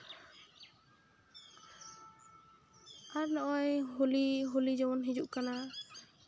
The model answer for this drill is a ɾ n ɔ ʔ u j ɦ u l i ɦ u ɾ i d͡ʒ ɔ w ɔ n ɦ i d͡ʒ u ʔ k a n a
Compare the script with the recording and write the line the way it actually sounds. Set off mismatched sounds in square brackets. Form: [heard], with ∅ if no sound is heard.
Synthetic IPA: a ɾ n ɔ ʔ [ɔ] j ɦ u l i ɦ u [l] i d͡ʒ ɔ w ɔ n ɦ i d͡ʒ u ʔ k a n a

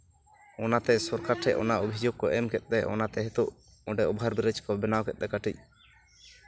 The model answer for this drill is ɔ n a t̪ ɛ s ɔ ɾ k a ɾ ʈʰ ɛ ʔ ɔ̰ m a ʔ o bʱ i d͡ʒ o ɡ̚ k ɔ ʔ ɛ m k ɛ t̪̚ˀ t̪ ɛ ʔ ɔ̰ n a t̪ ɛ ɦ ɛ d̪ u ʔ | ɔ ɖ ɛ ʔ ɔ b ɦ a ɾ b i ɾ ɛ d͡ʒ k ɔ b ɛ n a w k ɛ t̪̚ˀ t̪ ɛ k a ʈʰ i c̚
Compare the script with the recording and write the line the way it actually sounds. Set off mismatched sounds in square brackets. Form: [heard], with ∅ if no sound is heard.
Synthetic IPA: ɔ n a t̪ ɛ s ɔ ɾ k a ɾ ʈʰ ɛ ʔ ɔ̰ [n] a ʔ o bʱ i d͡ʒ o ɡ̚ k ɔ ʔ ɛ m k ɛ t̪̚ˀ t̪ ɛ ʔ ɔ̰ n a t̪ ɛ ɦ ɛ [t̪] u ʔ | ɔ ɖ ɛ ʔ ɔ b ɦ a ɾ b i ɾ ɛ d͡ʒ k ɔ b ɛ n a w k ɛ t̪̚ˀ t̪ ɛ k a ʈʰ i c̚

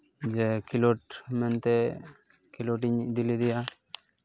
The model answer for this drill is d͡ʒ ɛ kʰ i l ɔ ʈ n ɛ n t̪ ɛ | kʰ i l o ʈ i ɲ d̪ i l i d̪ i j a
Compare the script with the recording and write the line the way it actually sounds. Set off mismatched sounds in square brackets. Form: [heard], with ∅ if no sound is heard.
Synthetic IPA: d͡ʒ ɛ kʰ i l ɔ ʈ [m] ɛ n t̪ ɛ | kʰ i l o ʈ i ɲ d̪ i l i d̪ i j a

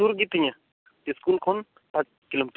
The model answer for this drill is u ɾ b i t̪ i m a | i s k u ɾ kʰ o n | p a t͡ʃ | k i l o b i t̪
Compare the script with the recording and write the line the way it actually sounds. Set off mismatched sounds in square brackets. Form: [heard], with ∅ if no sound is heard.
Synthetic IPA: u ɾ [ɡ] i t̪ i [ɲ] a | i s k u [l] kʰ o n | p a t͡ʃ | k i l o [m] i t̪

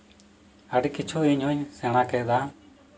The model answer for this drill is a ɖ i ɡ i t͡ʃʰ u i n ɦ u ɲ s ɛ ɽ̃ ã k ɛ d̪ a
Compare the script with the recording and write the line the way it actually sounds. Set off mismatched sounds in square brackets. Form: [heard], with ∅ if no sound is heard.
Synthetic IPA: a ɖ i [k] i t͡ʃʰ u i [ɲ] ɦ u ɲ s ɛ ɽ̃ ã k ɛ d̪ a

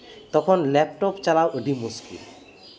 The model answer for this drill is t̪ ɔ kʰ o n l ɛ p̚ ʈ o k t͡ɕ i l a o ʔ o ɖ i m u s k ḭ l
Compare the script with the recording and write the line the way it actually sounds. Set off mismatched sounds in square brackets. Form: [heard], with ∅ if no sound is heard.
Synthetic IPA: t̪ ɔ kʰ o n l ɛ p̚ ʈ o [p] t͡ɕ [a] l a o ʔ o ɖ i m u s k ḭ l

